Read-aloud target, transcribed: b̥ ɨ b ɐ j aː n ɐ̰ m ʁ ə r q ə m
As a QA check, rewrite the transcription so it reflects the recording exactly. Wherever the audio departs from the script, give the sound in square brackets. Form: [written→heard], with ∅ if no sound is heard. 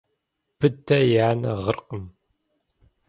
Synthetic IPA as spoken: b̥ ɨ [b→d] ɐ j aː n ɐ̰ [m→∅] ʁ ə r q ə m